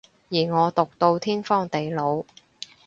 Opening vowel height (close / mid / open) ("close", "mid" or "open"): close